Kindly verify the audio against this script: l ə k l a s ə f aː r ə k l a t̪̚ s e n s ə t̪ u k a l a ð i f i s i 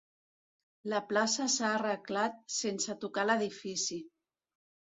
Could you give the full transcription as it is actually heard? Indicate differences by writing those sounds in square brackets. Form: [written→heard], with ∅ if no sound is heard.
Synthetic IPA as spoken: l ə [k→p] l a s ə [f→s] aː r ə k l a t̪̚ s e n s ə t̪ u k a l [a→ə] ð i f i s i

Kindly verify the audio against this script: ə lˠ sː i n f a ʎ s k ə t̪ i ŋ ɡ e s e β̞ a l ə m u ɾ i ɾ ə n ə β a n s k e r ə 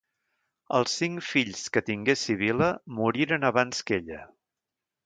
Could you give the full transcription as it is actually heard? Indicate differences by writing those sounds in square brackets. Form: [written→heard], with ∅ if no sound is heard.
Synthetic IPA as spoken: ə lˠ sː i [n→ŋ] f [a→i] ʎ s k ə t̪ i ŋ ɡ e s [e→i] β̞ [a→i] l ə m u ɾ i ɾ ə n ə β a n s k e [r→ʎ] ə

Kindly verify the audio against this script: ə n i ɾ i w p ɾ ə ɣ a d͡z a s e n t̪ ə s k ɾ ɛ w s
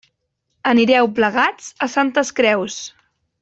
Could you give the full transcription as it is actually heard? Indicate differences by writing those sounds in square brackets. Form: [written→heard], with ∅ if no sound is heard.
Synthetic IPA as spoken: ə n i ɾ [i→ɛ] w p [ɾ→l] ə ɣ a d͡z [a→ə] s [e→a] n t̪ ə s k ɾ ɛ w s

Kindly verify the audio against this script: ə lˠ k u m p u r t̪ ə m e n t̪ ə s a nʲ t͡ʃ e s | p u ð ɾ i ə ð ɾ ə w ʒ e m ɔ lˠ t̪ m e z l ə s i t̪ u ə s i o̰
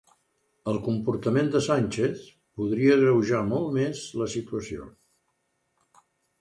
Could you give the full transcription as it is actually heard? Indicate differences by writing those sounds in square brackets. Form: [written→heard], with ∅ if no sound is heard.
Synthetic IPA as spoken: ə lˠ k u m p u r t̪ ə m e n [t̪→d̪] ə s a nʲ t͡ʃ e [s→θ] | p u ð ɾ i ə [ð→ɣ] ɾ ə w ʒ [e→a] m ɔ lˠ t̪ m e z l ə s i t̪ u ə s i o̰

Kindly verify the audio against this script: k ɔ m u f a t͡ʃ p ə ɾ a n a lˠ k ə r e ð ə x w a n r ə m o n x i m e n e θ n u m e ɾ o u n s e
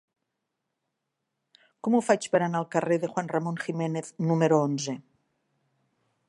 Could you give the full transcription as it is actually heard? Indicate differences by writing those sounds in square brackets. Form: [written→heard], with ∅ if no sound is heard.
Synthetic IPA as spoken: k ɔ m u f a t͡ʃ p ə ɾ a n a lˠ k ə r e ð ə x w a n r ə m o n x i m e n e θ n u m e ɾ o [u→o] n [s→z] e

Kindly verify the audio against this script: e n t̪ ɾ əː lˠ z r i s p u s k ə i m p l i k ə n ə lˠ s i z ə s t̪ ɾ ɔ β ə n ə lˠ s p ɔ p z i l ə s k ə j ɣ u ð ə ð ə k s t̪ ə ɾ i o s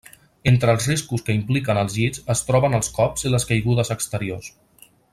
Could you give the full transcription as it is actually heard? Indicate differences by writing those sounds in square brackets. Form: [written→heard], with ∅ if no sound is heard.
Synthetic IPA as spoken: e n t̪ ɾ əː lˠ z r i s [p→k] u s k ə i m p l i k ə n ə lˠ [s→z] i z ə s t̪ ɾ ɔ β ə n ə lˠ s [p→k] ɔ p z i l ə s k ə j ɣ u ð ə [ð→z] ə k s t̪ ə ɾ i o s

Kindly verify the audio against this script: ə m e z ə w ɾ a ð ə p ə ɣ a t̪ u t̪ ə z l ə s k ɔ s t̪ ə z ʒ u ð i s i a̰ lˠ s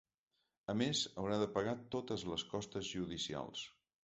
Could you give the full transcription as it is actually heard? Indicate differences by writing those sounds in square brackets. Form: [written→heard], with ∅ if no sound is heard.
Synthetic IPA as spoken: ə m e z ə w ɾ a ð ə p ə ɣ a t̪ [u→o] t̪ ə z l ə s k ɔ s t̪ ə z ʒ u ð i s i a̰ lˠ s

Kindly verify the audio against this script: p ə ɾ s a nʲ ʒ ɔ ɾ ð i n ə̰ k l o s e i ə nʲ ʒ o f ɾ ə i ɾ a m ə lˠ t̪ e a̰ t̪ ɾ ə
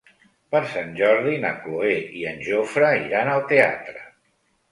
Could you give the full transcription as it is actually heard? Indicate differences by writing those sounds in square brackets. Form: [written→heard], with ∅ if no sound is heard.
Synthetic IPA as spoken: p ə ɾ s a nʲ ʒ ɔ ɾ ð i n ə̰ k l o [s→∅] e i ə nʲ ʒ o f ɾ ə i ɾ a [m→n] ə lˠ t̪ e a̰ t̪ ɾ ə

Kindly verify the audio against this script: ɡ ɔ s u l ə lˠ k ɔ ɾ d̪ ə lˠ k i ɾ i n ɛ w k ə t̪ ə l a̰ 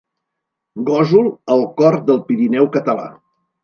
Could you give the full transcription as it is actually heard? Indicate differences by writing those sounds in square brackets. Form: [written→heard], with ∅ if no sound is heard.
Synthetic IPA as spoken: ɡ ɔ [s→z] u l ə lˠ k ɔ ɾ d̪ ə lˠ [k→p] i ɾ i n ɛ w k ə t̪ ə l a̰

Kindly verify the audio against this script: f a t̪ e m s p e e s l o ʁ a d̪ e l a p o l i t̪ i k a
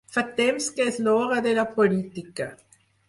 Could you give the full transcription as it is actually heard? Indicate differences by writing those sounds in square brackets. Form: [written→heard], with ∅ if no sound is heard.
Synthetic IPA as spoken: f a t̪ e m s [p→k] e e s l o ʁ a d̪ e l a p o l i t̪ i k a

